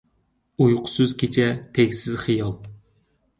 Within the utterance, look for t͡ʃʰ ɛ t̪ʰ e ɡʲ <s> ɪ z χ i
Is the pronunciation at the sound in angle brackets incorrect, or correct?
correct